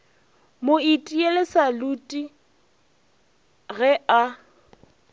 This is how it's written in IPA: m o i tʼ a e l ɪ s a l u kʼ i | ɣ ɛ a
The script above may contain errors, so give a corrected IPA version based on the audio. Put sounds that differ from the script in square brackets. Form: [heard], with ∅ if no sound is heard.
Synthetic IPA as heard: m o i tʼ [i] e l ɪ s a l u [tʼ] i | ɣ ɛ a